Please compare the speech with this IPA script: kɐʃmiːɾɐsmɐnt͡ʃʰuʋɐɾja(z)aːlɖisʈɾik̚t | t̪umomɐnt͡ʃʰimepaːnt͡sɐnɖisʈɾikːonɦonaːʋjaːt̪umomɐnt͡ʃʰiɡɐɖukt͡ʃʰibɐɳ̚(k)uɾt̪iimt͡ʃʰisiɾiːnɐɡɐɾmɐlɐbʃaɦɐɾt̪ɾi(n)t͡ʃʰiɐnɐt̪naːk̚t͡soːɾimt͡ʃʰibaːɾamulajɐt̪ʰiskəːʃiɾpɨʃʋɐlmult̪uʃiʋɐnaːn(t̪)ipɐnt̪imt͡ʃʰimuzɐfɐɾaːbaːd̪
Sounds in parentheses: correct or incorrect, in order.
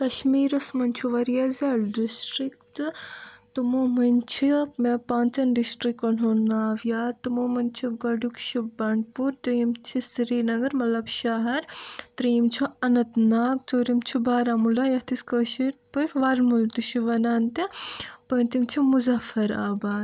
correct, incorrect: p, incorrect: m, correct

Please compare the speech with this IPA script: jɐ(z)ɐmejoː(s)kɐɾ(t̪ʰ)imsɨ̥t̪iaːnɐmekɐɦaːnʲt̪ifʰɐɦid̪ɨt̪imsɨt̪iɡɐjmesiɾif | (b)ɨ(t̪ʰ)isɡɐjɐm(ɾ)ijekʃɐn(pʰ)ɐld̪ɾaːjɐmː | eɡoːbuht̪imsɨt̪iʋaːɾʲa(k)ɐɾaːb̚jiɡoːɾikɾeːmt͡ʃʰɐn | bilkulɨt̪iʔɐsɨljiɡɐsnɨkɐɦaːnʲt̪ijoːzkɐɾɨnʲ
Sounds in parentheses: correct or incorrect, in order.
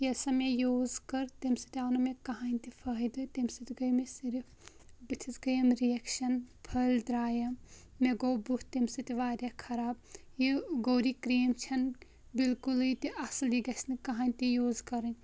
incorrect: s, incorrect: z, incorrect: t̪, correct, correct, correct, correct, incorrect: kʰ

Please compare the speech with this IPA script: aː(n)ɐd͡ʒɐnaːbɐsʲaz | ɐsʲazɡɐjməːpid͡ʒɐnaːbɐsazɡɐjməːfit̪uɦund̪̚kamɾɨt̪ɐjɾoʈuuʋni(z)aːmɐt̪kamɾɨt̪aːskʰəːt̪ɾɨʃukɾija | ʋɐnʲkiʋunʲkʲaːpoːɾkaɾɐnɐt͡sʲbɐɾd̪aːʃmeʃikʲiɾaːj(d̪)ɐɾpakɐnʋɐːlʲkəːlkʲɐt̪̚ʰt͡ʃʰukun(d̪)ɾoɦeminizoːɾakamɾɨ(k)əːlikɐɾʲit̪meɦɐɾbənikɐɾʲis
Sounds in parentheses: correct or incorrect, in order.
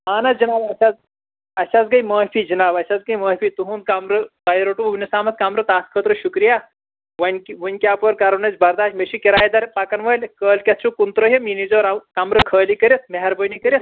correct, incorrect: s, correct, incorrect: t̪, incorrect: kʰ

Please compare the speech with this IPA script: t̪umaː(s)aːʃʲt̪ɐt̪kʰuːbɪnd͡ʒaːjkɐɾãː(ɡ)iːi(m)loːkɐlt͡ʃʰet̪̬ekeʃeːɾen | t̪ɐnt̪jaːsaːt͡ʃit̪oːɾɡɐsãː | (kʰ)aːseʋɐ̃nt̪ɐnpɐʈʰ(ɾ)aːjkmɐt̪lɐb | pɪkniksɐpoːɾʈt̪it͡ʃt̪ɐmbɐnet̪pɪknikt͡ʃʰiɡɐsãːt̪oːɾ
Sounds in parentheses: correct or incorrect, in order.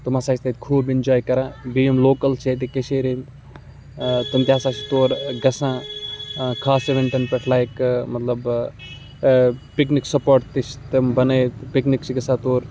correct, incorrect: b, correct, correct, incorrect: l

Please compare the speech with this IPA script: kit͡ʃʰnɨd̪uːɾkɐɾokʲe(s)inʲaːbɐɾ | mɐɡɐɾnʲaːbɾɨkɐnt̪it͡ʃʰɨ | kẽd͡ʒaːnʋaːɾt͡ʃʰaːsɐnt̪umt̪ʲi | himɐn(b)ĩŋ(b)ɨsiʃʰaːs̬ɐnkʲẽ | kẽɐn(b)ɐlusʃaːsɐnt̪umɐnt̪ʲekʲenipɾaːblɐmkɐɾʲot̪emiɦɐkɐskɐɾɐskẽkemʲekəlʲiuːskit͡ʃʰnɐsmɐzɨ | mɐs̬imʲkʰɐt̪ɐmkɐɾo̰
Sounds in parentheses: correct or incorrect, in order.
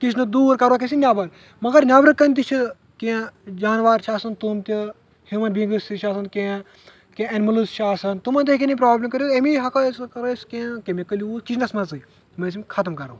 correct, correct, incorrect: ɡ, incorrect: m

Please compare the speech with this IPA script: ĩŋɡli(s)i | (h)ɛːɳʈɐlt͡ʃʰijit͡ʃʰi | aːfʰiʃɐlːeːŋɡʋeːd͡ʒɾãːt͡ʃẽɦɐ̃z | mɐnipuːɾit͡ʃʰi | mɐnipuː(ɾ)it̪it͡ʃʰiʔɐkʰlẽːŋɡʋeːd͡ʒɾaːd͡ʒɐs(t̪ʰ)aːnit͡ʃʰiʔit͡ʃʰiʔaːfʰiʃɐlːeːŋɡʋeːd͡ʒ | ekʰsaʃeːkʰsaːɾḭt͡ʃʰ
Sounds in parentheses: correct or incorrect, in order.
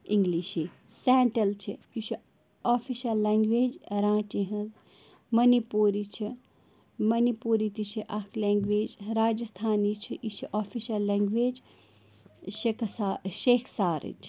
incorrect: ʃ, incorrect: s, correct, correct

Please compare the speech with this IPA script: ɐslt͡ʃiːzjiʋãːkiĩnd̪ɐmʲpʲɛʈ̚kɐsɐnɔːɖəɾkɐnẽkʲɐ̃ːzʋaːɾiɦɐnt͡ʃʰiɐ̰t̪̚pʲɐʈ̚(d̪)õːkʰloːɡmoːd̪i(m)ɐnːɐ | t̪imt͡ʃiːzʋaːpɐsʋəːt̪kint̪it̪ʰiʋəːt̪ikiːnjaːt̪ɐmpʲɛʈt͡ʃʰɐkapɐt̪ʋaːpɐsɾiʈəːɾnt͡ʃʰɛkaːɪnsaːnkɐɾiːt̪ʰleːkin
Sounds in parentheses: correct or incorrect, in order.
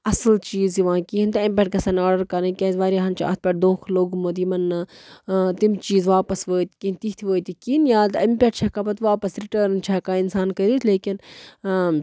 correct, correct

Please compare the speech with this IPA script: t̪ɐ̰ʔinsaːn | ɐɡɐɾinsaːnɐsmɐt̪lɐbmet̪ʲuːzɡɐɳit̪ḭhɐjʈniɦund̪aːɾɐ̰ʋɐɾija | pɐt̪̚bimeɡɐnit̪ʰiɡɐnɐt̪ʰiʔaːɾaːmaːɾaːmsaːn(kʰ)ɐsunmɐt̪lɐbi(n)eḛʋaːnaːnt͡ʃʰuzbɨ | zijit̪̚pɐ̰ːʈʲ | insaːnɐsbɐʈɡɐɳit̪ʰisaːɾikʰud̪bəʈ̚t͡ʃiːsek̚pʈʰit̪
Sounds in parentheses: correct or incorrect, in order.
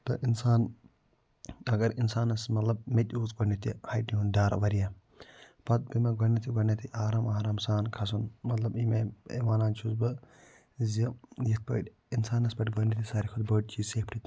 correct, incorrect: m

